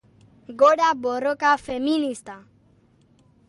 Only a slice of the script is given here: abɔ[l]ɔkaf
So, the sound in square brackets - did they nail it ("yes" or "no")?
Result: no